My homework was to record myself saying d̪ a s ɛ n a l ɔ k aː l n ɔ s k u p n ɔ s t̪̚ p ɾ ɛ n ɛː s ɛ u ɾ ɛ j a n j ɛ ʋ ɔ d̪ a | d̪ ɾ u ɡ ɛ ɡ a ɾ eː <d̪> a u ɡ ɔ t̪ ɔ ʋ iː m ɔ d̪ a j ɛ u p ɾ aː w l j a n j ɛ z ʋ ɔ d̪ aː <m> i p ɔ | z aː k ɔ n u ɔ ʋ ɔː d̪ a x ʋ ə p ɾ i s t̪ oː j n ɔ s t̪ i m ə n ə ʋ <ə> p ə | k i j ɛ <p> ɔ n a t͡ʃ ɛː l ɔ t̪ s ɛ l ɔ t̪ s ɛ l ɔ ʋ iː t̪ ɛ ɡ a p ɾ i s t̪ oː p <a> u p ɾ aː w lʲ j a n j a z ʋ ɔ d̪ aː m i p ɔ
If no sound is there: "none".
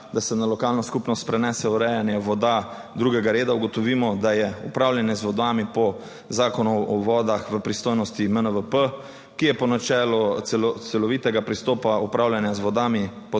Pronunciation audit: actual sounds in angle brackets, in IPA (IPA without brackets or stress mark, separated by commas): d̪, m, ə, p, a